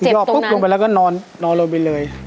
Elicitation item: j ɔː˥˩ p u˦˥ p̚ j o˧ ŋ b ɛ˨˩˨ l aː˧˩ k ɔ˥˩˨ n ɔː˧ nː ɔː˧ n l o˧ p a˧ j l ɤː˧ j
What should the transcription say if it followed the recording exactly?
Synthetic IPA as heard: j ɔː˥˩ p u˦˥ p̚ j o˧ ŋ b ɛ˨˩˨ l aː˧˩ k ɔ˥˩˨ n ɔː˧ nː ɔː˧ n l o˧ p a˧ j l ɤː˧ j

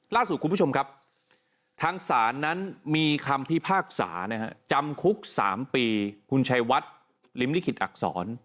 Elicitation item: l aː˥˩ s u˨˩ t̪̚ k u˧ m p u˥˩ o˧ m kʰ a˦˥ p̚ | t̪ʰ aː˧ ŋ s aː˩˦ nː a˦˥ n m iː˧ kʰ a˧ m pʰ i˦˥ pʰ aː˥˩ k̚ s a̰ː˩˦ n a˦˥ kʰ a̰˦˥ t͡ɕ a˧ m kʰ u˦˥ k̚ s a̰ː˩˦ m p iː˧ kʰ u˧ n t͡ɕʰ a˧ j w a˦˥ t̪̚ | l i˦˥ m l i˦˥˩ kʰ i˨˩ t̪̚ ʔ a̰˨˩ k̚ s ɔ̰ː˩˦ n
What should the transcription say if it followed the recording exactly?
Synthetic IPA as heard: l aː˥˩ s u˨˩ t̪̚ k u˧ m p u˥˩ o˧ m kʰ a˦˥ p̚ | t̪ʰ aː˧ ŋ s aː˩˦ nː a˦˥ n m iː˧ kʰ a˧ m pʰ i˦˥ pʰ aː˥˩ k̚ s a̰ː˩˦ n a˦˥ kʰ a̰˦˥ t͡ɕ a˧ m kʰ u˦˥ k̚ s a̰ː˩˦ m p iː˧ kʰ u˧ n t͡ɕʰ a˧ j w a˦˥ t̪̚ | l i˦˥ m l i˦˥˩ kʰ i˨˩ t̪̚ ʔ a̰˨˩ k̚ s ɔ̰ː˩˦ n

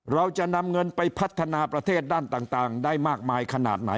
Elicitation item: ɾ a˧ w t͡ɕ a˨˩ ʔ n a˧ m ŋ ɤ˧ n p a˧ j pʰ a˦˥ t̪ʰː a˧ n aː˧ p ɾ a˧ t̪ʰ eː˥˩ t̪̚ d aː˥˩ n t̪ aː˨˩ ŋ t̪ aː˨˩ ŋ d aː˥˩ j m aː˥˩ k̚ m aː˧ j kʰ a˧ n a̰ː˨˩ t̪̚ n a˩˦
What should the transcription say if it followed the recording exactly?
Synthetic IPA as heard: ɾ a˧ w t͡ɕ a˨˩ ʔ n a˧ m ŋ ɤ˧ n p a˧ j pʰ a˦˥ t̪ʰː a˧ n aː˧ p ɾ a˧ t̪ʰ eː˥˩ t̪̚ d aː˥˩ n t̪ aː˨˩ ŋ t̪ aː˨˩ ŋ d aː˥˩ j m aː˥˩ k̚ m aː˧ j kʰ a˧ n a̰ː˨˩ t̪̚ n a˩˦

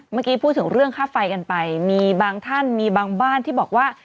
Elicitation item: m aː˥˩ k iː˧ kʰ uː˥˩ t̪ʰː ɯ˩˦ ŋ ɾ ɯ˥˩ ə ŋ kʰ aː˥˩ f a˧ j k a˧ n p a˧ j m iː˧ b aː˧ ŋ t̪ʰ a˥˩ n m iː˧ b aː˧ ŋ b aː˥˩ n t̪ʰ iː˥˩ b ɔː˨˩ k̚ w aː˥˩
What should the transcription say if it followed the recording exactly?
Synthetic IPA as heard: m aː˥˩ k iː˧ pʰ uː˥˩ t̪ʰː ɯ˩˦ ŋ ɾ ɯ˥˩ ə ŋ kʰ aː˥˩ f a˧ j k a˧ n p a˧ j m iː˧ b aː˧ ŋ t̪ʰ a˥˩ n m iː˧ b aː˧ ŋ b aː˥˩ n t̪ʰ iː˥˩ b ɔː˨˩ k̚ w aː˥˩

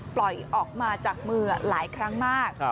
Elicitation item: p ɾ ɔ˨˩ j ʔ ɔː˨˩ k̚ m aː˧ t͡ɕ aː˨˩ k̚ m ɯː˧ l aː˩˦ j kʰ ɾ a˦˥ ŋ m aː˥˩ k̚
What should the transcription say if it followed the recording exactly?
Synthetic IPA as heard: p l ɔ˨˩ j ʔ ɔː˨˩ k̚ m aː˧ t͡ɕ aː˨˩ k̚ m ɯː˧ l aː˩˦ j kʰ ɾ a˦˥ ŋ m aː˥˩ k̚

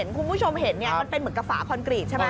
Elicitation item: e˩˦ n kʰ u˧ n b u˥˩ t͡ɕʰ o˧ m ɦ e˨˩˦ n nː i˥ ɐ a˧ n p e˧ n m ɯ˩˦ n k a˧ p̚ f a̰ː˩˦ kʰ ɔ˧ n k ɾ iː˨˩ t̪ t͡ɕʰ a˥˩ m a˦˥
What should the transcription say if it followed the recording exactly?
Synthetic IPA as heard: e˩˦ n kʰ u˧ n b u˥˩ t͡ɕʰ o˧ m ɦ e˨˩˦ n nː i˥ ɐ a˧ n p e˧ n m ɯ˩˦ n k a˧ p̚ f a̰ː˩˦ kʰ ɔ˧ n k ɾ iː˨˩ t̪ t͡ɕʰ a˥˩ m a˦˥

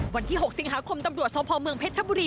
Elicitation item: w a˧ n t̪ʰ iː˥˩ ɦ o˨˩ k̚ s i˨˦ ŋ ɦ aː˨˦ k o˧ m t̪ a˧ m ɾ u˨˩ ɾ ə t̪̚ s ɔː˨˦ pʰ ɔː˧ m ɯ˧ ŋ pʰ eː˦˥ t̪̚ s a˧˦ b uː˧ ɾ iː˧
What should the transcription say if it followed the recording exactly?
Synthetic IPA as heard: w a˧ n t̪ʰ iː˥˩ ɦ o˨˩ k̚ s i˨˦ ŋ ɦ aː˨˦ kʰ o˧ m t̪ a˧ m ɾ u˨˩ ə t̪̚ s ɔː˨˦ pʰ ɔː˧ m ɯ˧ ŋ pʰ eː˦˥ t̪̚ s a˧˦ b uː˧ ɾ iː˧

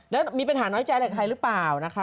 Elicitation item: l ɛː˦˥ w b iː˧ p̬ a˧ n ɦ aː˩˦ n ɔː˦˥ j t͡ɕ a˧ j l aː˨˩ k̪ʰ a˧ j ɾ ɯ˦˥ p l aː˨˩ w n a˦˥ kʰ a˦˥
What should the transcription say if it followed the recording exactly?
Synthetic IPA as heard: l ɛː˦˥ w m iː˧ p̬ a˧ n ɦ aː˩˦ n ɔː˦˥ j t͡ɕ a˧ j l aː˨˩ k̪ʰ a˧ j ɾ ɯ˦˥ p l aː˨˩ w n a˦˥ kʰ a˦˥

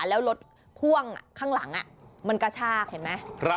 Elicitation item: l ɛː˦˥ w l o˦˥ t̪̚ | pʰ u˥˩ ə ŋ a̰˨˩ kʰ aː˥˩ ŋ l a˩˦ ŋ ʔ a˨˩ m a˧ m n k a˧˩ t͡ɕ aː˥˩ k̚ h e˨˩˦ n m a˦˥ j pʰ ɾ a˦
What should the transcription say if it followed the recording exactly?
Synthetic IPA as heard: l ɛː˦˥ w l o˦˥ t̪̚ | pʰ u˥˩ ə ŋ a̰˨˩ kʰ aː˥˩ ŋ l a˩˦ ŋ ʔ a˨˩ m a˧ n k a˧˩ t͡ɕʰ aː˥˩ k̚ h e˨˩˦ n m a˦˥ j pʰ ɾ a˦

